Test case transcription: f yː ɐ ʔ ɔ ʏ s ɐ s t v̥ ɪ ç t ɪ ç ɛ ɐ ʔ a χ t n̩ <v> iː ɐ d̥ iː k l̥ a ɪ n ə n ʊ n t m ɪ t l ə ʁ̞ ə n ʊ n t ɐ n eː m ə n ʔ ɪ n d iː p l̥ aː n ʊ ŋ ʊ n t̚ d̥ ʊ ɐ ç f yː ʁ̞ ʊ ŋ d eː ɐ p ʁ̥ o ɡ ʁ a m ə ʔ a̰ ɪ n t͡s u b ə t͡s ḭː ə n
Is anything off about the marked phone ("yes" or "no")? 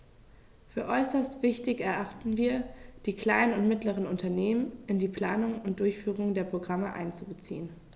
no